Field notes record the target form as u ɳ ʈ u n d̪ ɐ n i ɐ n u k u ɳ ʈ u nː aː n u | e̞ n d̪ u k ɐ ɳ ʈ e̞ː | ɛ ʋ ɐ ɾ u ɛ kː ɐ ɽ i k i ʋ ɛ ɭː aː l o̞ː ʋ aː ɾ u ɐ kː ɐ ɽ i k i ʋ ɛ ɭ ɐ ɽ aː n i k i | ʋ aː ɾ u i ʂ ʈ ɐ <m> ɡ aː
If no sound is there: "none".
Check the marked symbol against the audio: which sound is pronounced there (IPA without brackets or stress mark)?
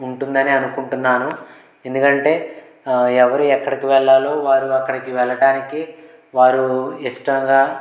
ŋ